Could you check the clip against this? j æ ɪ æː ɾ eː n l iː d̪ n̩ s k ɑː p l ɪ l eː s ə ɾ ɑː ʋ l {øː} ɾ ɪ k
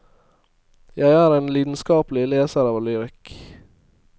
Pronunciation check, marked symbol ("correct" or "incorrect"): incorrect